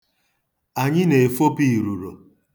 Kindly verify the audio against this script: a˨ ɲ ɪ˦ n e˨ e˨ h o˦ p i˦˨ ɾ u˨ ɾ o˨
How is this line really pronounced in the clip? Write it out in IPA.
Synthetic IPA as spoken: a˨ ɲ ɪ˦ n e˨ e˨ f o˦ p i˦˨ ɾ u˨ ɾ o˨